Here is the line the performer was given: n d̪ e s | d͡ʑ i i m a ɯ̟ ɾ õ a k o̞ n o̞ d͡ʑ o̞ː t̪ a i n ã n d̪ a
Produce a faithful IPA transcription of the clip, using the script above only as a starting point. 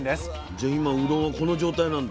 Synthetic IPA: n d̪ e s | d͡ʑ a i m a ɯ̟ ɾ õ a k o̞ n o̞ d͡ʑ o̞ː t̪ a i n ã n d̪ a